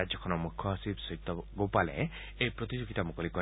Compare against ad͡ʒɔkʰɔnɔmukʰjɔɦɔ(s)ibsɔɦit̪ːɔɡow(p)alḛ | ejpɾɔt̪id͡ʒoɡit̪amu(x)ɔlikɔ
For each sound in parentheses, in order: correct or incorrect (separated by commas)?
correct, correct, incorrect